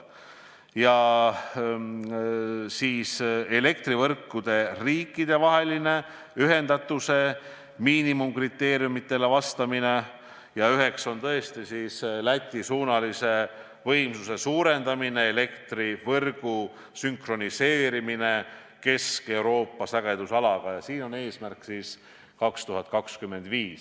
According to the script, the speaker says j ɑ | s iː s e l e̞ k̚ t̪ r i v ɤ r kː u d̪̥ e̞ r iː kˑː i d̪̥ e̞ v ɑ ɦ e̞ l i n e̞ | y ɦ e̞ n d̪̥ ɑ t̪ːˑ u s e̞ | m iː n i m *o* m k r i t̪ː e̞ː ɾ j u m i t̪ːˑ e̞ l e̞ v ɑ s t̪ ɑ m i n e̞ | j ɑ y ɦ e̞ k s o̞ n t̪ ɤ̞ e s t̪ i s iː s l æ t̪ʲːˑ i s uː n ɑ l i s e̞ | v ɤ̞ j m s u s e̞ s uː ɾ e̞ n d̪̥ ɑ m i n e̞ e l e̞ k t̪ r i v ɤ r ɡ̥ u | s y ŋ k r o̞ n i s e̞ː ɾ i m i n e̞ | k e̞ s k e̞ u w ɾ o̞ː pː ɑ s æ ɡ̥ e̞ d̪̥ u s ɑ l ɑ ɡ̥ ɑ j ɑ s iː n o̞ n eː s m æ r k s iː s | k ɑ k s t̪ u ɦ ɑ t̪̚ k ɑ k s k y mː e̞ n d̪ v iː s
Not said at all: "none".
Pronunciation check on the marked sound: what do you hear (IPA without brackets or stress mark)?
u